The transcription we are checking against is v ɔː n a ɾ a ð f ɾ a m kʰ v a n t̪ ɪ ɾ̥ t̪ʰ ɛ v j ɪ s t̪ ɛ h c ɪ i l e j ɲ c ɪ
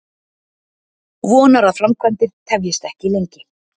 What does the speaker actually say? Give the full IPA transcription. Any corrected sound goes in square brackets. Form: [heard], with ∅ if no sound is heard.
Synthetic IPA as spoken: v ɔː n a ɾ a ð f ɾ a m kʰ v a n t̪ ɪ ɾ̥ t̪ʰ ɛ v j ɪ s t̪ ɛ h c ɪ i l e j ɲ c ɪ